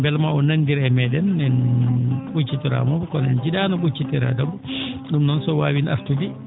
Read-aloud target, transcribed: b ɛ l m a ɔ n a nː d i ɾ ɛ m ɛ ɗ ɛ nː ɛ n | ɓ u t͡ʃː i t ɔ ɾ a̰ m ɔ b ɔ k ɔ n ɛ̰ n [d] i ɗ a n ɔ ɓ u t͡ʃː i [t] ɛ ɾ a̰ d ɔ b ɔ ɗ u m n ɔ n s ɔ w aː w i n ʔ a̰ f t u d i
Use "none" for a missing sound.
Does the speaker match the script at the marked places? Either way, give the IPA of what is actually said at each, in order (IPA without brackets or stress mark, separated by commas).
d͡ʒ, t